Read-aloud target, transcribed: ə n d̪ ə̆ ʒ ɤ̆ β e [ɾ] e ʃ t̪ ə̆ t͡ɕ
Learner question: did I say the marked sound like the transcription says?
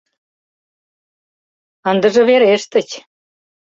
yes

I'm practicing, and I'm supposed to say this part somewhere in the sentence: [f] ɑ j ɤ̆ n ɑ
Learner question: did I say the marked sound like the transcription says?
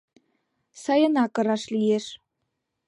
no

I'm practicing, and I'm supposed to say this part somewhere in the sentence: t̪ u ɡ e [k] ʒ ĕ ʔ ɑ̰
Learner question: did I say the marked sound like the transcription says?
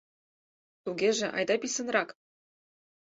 no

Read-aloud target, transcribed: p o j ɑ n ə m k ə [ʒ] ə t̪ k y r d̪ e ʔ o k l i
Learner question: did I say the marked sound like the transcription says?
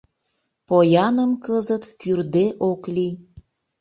no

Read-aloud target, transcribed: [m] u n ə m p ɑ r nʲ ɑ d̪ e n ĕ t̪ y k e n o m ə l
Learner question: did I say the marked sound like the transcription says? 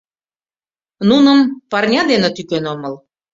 no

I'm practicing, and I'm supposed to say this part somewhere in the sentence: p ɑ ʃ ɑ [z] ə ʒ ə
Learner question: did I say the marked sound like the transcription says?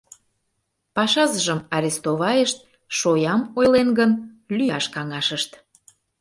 yes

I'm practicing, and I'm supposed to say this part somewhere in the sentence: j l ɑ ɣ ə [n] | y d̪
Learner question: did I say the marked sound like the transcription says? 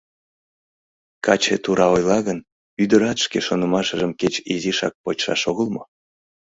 yes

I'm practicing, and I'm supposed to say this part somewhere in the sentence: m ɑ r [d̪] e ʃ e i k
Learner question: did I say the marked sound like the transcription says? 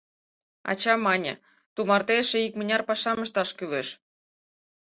no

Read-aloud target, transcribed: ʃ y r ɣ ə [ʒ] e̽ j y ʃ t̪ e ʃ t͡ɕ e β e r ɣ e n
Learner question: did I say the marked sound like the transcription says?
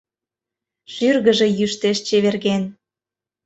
yes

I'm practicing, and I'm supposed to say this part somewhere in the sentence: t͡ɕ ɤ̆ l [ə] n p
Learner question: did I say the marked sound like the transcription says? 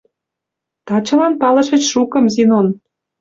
no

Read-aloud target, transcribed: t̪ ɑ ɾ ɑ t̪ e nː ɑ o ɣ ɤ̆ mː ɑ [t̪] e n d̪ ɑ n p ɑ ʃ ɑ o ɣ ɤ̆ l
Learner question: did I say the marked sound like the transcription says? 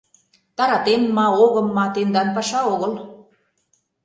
yes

